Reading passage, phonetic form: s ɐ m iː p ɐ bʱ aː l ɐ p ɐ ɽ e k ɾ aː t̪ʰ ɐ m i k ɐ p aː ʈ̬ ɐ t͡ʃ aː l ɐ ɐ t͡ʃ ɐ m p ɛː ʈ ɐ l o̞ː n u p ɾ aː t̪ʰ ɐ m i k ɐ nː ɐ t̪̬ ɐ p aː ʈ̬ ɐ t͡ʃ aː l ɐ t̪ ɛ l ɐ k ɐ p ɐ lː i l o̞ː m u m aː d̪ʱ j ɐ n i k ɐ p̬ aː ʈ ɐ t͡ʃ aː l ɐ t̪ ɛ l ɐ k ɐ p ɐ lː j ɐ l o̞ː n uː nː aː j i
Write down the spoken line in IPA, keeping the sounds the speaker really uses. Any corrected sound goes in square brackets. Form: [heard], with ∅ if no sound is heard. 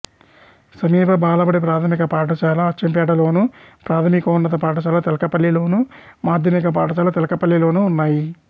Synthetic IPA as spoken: s ɐ m iː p ɐ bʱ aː l ɐ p ɐ ɽ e [p] ɾ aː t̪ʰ ɐ m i k ɐ p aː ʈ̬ ɐ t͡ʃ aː l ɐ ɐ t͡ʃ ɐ m p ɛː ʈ ɐ l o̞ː n u p ɾ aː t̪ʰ ɐ m i k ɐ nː ɐ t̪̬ ɐ p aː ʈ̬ ɐ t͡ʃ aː l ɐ t̪ ɛ l ɐ k ɐ p ɐ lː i l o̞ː [n] u m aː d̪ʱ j ɐ [m] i k ɐ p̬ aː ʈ ɐ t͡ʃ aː l ɐ t̪ ɛ l ɐ k ɐ p ɐ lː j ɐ l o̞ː n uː nː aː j i